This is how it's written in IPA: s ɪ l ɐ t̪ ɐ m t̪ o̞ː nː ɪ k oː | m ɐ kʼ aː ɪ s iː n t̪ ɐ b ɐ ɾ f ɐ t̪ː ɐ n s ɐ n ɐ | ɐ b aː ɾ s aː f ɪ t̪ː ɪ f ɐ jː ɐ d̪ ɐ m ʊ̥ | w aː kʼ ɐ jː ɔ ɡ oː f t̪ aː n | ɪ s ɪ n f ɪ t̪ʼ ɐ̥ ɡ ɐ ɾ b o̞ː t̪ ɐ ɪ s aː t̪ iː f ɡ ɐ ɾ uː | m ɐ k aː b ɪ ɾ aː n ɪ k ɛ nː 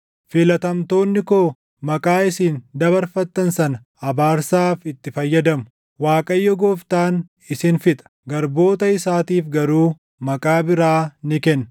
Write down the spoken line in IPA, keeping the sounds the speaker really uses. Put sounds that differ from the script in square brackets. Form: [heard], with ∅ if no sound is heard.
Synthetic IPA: [f] ɪ l ɐ t̪ ɐ m t̪ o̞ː nː ɪ k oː | m ɐ kʼ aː ɪ s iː n [d̪] ɐ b ɐ ɾ f ɐ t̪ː ɐ n s ɐ n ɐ | ɐ b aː ɾ s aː f ɪ t̪ː ɪ f ɐ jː ɐ d̪ ɐ m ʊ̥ | w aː kʼ ɐ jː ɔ ɡ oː f t̪ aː n | ɪ s ɪ n f ɪ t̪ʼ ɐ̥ ɡ ɐ ɾ b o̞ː t̪ ɐ ɪ s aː t̪ iː f ɡ ɐ ɾ uː | m ɐ [kʼ] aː b ɪ ɾ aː n ɪ k ɛ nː

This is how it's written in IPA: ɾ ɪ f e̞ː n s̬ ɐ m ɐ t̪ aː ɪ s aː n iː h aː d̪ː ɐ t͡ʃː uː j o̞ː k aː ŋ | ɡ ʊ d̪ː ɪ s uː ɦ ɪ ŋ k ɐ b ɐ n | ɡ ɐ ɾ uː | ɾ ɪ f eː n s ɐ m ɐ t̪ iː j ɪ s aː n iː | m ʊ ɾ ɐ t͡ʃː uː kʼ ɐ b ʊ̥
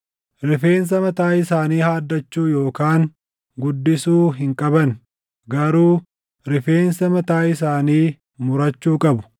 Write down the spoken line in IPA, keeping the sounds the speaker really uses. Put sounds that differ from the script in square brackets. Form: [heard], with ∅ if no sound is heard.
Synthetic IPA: ɾ ɪ f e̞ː n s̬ ɐ m ɐ t̪ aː ɪ s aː n iː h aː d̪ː ɐ t͡ʃː uː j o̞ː k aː ŋ | ɡ ʊ d̪ː ɪ s uː ɦ ɪ ŋ [kʼ] ɐ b ɐ n | ɡ ɐ ɾ uː | ɾ ɪ f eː n s ɐ m ɐ t̪ [aː] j ɪ s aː n iː | m ʊ ɾ ɐ t͡ʃː uː kʼ ɐ b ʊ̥

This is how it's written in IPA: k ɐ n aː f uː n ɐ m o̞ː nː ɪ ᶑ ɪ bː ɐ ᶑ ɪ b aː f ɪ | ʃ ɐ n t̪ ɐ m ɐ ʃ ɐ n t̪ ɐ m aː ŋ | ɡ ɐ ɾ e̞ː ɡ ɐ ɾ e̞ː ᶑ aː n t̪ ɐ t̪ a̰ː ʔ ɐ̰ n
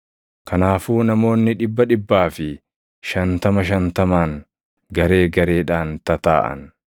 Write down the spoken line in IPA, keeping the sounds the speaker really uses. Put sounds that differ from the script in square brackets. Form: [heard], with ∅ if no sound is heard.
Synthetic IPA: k ɐ n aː f uː n ɐ m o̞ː nː ɪ ᶑ ɪ bː ɐ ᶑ ɪ [bː] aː f ɪ | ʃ ɐ n t̪ ɐ m ɐ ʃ ɐ n t̪ ɐ m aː ŋ | ɡ ɐ ɾ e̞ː ɡ ɐ ɾ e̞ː ᶑ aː n t̪ ɐ t̪ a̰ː ʔ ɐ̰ n

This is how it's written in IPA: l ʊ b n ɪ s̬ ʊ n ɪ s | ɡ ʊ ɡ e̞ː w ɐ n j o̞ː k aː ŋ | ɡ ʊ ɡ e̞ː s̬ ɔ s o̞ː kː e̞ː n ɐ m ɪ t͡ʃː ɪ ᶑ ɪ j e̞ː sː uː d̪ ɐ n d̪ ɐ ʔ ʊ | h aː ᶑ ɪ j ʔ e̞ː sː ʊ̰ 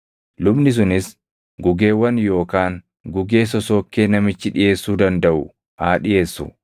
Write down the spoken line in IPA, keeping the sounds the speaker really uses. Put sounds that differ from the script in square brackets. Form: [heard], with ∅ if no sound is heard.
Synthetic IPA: l ʊ b n ɪ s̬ ʊ n ɪ s | ɡ ʊ ɡ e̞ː w ɐ n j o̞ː k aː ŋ | ɡ ʊ ɡ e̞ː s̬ ɔ s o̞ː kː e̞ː n ɐ m ɪ t͡ʃː ɪ ᶑ ɪ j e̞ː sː uː d̪ ɐ n d̪ ɐ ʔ ʊ | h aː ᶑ ɪ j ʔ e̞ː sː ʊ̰

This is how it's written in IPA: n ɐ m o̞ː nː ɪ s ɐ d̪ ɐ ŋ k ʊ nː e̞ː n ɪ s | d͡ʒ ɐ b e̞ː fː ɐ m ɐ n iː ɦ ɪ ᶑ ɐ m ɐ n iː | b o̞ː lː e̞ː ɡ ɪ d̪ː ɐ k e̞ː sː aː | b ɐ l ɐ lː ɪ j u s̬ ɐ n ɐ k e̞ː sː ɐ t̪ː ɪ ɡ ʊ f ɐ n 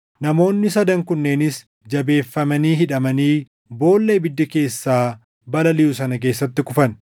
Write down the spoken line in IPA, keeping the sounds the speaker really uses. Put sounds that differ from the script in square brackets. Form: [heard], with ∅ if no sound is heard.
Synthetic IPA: n ɐ m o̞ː nː ɪ s ɐ d̪ ɐ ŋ k ʊ nː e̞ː n ɪ s | d͡ʒ ɐ b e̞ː fː ɐ m ɐ n iː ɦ ɪ ᶑ ɐ m ɐ n iː | b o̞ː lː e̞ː [b] ɪ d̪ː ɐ k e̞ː sː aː | b ɐ l ɐ [l] ɪ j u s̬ ɐ n ɐ k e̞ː sː ɐ t̪ː ɪ [k] ʊ f ɐ n

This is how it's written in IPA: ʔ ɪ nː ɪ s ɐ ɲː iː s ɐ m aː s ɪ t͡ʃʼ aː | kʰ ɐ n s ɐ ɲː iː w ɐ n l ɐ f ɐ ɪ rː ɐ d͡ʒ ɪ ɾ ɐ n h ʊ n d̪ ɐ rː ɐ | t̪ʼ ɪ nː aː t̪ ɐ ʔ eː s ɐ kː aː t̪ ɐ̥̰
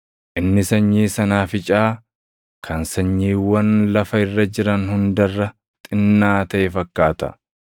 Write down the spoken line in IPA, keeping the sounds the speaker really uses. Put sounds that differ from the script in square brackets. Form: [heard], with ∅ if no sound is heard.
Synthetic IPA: ʔ ɪ nː ɪ s ɐ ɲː iː s ɐ [n] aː [f] ɪ t͡ʃʼ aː | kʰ ɐ n s ɐ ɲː iː w ɐ n l ɐ f ɐ ɪ rː ɐ d͡ʒ ɪ ɾ ɐ n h ʊ n d̪ ɐ rː ɐ | t̪ʼ ɪ nː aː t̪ ɐ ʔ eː [f] ɐ kː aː t̪ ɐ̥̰

